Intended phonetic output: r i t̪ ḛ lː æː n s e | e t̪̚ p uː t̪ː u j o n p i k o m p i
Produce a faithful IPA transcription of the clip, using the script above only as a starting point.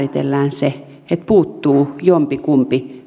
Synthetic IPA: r i t̪ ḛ lː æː n s e | e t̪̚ p uː t̪ː uː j o m p i k u m p i